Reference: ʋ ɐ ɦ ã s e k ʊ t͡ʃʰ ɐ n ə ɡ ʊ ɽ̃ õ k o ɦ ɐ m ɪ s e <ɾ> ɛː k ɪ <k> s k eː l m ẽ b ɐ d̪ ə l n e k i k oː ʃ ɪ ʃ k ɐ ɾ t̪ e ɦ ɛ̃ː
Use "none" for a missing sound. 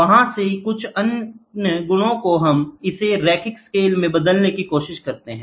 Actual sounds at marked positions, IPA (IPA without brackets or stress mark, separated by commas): ɾ, k